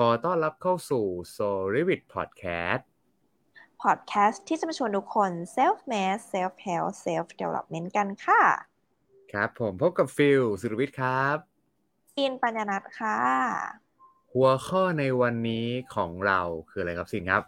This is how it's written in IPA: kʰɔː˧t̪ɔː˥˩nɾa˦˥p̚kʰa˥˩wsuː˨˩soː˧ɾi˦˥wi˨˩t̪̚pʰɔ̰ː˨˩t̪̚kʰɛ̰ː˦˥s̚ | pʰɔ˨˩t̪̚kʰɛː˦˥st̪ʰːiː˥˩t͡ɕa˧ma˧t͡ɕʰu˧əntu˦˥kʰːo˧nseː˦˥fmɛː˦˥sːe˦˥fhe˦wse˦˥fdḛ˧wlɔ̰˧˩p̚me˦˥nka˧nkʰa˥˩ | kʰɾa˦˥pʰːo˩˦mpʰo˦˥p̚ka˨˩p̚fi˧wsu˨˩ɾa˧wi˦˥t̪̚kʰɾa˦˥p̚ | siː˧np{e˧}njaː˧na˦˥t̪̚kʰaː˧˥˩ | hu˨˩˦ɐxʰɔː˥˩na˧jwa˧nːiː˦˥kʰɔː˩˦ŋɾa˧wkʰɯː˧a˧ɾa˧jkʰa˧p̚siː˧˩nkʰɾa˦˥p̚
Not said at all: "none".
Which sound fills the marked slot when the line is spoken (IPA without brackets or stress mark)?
a˧